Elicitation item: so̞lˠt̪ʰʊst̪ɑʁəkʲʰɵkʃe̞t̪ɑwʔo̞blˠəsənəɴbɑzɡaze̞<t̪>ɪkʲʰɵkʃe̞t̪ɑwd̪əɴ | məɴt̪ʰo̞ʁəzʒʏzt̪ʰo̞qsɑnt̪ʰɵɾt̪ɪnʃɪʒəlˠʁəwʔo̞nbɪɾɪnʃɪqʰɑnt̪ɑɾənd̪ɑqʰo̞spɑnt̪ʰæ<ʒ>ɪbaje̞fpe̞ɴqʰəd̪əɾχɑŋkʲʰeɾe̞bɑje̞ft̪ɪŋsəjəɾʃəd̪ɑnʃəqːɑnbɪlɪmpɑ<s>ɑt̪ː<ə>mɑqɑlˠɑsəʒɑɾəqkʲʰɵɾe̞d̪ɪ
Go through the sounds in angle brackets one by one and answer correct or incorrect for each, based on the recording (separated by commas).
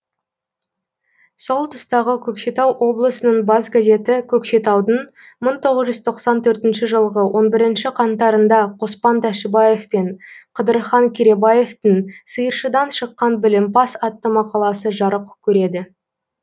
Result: correct, incorrect, correct, correct